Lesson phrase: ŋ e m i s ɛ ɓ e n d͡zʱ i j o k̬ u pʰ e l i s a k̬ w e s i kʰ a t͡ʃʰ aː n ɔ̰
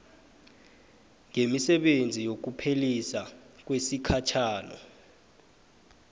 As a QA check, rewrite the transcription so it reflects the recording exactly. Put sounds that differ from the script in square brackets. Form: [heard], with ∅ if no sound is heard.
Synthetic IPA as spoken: ŋ e m i s ɛ ɓ e n d͡zʱ i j o k̬ u pʰ e l i s a k̬ w e s i kʰ a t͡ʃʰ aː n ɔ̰